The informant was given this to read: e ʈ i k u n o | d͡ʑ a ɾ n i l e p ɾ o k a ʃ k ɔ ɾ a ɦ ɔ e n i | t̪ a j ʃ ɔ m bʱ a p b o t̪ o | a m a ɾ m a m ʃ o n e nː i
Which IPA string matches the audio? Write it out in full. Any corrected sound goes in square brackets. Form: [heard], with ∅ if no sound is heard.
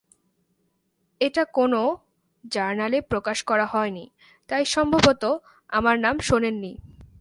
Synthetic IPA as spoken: e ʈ [a] k [o] n o | d͡ʑ a ɾ n [a] l e p ɾ o k a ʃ k ɔ ɾ a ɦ ɔ e n i | t̪ a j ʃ ɔ m bʱ a [∅] b o t̪ o | a m a ɾ [n] a m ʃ o n e nː i